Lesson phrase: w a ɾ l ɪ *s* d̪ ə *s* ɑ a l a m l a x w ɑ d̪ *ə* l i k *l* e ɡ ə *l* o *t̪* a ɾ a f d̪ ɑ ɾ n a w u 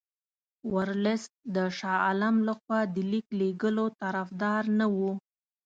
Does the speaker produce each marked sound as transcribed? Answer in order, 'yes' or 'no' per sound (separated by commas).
yes, no, yes, yes, yes, yes